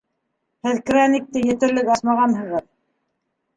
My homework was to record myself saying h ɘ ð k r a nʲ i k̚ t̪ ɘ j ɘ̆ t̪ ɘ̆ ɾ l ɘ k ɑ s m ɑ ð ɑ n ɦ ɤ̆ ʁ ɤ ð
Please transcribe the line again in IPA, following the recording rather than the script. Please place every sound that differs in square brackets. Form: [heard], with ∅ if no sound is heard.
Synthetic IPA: h ɘ ð k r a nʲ i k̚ t̪ ɘ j ɘ̆ t̪ ɘ̆ ɾ l ɘ k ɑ s m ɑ [ʁ] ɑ n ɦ ɤ̆ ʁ ɤ ð